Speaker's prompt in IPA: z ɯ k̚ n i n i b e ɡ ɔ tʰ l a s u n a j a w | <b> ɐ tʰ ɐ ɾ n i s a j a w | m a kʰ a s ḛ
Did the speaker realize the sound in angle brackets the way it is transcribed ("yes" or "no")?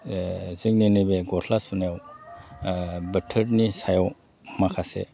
yes